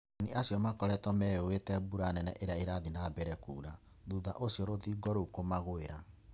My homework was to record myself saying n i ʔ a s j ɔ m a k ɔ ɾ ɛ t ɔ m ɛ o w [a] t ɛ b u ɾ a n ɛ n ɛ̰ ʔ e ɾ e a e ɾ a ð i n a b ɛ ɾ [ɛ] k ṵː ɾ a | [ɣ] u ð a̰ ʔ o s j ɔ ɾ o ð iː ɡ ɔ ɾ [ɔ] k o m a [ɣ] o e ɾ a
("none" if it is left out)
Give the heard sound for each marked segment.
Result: e, ɛ, ð, o, ɣ

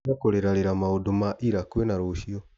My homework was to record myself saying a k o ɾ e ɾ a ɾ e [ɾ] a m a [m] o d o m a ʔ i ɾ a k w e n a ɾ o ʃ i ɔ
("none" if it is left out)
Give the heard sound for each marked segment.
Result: ɾ, none

